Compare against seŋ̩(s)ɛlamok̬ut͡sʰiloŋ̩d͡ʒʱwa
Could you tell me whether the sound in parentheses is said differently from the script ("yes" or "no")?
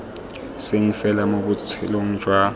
yes